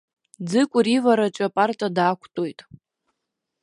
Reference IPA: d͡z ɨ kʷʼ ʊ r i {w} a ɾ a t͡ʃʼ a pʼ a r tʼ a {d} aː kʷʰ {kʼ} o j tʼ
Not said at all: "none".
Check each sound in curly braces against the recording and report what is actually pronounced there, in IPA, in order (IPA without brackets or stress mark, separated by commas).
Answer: v, d, tʼ